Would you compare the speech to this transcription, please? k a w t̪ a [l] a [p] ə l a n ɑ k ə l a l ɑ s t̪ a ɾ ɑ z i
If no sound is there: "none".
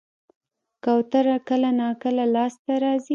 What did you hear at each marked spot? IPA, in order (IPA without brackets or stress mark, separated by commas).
ɾ, k